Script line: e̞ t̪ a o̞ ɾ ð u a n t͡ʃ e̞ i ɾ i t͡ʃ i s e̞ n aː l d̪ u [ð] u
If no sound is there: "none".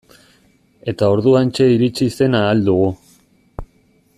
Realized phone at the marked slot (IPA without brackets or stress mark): ɣ